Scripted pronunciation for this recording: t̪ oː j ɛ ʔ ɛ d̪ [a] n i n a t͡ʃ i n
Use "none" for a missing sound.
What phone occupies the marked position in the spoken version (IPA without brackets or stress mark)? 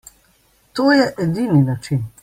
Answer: i